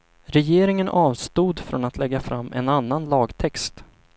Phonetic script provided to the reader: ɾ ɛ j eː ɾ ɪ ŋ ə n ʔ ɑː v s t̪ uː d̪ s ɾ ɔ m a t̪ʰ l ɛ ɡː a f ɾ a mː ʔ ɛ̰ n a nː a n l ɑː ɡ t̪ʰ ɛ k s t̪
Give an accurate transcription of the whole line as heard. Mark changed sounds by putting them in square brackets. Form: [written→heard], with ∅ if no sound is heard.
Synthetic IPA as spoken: ɾ ɛ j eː ɾ ɪ ŋ ə n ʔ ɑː v s t̪ uː d̪ [s→f] ɾ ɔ [m→n] a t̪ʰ l ɛ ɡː a f ɾ a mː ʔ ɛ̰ n a nː a n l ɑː ɡ t̪ʰ ɛ k s t̪